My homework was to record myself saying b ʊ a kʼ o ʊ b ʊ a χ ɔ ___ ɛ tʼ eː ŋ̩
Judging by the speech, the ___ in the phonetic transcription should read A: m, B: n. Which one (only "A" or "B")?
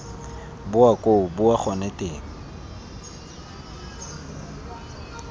B